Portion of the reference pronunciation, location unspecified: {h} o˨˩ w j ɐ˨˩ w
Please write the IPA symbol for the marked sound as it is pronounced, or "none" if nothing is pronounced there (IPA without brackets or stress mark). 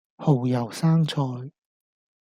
h